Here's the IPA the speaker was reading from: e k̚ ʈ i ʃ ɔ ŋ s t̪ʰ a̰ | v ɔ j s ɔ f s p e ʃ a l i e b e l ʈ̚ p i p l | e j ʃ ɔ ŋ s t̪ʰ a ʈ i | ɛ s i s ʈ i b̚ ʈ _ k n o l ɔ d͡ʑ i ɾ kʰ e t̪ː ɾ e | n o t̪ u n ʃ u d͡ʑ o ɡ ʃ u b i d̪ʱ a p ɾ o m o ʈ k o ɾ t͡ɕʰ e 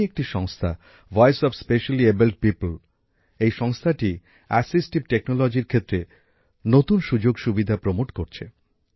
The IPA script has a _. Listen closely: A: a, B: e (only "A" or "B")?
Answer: B